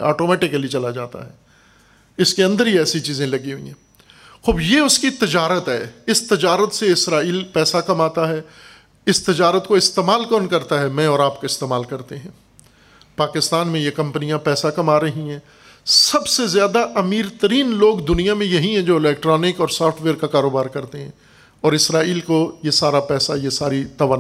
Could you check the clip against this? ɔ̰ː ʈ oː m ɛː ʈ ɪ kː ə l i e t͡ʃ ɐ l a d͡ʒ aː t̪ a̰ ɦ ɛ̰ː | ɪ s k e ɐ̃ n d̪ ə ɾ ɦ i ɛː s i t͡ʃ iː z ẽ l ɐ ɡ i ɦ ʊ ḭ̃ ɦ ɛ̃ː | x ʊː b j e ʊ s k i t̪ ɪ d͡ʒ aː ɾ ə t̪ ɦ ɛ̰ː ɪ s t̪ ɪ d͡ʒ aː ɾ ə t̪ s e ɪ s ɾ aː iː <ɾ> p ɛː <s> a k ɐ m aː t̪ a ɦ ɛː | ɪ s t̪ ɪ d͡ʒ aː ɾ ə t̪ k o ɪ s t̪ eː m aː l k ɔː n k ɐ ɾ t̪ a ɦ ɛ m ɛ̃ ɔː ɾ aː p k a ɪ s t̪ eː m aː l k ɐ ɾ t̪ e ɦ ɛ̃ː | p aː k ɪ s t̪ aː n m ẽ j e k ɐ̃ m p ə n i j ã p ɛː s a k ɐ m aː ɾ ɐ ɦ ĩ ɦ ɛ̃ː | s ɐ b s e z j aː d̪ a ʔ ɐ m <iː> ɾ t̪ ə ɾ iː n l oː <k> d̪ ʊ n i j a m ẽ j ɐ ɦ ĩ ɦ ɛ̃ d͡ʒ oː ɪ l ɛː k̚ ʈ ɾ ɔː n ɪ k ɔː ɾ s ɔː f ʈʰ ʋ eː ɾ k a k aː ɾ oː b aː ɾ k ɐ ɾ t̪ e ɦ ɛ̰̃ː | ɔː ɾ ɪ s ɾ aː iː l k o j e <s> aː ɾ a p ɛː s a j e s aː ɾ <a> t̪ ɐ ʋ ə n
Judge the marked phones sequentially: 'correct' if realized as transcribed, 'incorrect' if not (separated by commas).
incorrect, correct, correct, incorrect, correct, incorrect